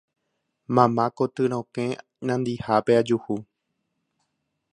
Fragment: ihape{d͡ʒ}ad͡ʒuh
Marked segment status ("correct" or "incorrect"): incorrect